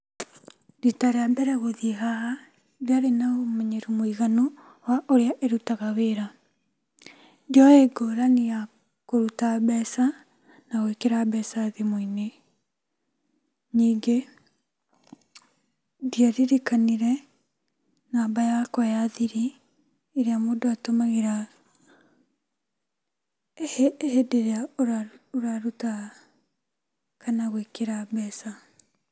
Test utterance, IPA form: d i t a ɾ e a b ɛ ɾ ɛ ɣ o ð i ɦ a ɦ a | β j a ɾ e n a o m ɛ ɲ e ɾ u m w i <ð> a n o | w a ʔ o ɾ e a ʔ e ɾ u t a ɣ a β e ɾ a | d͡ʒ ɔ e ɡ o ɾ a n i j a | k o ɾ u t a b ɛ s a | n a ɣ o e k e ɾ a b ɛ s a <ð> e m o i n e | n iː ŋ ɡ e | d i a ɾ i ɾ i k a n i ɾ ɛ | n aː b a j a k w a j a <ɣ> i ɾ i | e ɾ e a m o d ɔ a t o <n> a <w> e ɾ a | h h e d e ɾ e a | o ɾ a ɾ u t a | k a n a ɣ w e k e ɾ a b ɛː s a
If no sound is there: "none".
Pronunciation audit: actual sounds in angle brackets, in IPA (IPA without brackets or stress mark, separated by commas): ɣ, ð, ð, m, ɣ